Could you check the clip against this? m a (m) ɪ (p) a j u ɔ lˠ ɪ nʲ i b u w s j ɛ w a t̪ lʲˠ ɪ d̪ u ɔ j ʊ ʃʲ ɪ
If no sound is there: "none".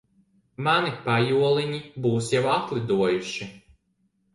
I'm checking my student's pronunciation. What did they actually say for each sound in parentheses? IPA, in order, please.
n, p

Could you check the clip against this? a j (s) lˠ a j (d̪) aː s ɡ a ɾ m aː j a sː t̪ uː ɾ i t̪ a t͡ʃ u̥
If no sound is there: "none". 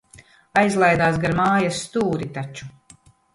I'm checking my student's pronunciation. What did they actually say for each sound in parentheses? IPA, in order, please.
z, d̪

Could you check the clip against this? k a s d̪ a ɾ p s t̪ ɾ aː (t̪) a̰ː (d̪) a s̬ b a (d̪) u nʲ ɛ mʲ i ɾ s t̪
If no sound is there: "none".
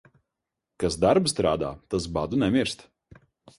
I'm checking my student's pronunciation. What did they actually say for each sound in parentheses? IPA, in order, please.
d̪, t̪, d̪

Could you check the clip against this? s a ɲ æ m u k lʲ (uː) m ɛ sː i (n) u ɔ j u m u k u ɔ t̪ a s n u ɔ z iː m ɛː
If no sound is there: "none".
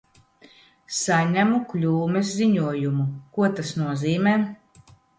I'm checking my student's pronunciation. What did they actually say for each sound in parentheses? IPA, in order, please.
uː, ɲ

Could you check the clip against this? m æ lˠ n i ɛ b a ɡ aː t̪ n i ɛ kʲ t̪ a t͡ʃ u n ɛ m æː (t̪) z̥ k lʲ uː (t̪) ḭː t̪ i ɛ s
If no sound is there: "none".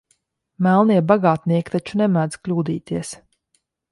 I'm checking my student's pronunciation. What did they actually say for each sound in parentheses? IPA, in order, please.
d̪, d̪

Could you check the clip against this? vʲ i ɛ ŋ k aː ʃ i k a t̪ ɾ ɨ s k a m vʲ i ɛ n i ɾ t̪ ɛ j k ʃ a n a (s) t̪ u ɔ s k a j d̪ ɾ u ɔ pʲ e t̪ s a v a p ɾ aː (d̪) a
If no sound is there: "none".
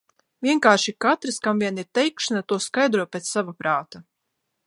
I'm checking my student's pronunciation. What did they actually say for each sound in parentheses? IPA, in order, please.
none, t̪

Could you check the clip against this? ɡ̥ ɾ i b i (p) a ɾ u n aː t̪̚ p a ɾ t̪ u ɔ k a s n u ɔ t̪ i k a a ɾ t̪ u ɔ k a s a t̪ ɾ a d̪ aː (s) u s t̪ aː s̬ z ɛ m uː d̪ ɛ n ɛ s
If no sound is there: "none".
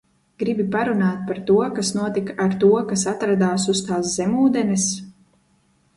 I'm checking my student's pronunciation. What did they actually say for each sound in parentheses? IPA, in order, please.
p, s

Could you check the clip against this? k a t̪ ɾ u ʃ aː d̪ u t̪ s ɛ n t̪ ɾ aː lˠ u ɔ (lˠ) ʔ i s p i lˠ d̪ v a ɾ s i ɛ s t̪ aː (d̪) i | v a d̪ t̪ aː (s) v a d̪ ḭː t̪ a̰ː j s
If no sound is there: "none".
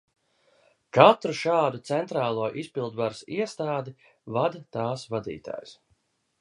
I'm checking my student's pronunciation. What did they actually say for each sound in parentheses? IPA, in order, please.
none, d̪, s

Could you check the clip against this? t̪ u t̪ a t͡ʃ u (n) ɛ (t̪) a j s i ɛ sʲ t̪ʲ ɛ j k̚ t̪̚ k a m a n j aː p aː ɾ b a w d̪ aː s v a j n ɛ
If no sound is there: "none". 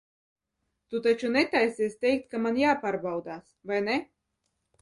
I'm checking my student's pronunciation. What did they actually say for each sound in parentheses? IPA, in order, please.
n, t̪

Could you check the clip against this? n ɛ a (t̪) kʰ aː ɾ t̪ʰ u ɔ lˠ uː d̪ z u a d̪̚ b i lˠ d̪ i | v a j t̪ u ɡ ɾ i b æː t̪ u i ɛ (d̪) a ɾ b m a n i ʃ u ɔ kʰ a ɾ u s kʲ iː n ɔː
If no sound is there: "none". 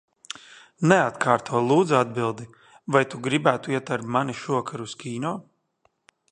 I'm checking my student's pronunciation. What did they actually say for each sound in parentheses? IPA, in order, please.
t̪, t̪

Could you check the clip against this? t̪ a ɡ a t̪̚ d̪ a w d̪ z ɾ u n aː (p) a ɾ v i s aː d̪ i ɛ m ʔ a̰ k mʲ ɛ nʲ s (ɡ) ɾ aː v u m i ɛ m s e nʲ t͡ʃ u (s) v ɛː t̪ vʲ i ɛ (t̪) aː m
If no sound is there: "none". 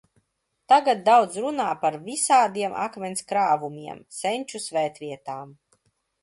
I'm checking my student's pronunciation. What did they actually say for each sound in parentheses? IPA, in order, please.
p, k, s, t̪

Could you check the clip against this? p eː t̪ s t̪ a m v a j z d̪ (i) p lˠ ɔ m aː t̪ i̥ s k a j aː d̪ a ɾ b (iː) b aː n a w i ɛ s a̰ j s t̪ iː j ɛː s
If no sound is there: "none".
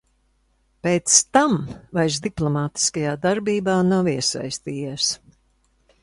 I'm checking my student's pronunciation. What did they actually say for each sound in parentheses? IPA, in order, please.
i, iː

